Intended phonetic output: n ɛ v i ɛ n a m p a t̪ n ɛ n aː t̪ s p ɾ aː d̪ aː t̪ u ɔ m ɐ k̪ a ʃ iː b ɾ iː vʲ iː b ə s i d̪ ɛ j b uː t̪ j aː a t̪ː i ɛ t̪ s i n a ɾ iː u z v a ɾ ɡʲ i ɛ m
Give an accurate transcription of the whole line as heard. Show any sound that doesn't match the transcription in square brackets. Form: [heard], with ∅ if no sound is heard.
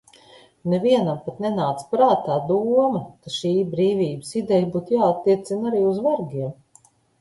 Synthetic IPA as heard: n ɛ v i ɛ n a m p a t̪ n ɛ n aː t̪ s p ɾ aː [t̪] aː [d̪] u ɔ m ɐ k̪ a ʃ iː b ɾ iː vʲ iː b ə s i d̪ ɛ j b uː t̪ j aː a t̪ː i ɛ t̪ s i n a ɾ iː u z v a ɾ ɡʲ i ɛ m